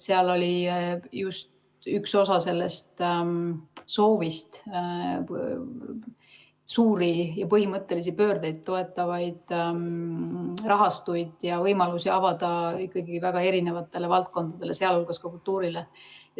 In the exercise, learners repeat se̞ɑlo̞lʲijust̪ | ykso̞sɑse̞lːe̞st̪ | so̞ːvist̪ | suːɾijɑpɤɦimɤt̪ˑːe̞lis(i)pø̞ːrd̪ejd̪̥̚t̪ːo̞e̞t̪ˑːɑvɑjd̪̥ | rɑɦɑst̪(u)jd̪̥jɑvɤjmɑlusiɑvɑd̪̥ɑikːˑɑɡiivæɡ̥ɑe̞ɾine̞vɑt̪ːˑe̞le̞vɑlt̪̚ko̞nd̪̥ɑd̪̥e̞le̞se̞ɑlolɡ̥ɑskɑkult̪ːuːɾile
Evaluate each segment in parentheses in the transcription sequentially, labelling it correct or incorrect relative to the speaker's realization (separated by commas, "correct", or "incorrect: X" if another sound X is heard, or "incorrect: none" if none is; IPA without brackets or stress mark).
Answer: correct, correct